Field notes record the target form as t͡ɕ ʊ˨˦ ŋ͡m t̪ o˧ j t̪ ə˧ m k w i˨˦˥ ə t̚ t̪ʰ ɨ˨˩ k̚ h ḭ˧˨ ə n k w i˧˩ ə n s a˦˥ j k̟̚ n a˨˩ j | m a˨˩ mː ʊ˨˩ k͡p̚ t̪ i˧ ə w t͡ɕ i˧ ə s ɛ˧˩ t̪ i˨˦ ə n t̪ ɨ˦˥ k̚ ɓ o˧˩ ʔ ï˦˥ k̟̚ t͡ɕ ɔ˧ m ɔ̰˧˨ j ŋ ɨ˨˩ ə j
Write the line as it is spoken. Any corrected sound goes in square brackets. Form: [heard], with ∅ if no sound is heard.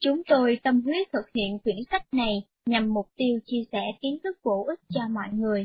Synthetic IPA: t͡ɕ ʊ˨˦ ŋ͡m t̪ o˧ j t̪ ə˧ m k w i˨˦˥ ə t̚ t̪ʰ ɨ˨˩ k̚ h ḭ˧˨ ə n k w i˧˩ ə n s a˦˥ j k̟̚ n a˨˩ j | [ɲ] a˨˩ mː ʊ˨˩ k͡p̚ t̪ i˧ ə w t͡ɕ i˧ ə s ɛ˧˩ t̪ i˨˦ ə n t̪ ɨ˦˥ k̚ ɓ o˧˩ ʔ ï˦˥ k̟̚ t͡ɕ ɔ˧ m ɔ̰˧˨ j ŋ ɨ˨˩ ə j